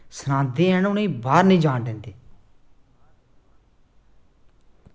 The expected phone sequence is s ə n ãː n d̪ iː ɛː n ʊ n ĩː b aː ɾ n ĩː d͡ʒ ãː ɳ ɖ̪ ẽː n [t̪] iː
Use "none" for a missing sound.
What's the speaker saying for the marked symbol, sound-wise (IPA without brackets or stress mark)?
d̪